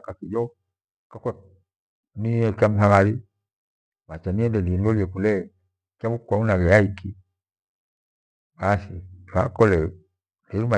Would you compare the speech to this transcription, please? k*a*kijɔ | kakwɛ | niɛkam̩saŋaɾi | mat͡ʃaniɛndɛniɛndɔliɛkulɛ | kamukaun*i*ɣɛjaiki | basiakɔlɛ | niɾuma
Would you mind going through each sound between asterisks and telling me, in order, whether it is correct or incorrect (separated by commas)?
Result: correct, incorrect